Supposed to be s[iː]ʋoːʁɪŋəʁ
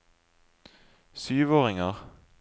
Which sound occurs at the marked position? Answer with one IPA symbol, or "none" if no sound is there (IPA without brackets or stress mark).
yː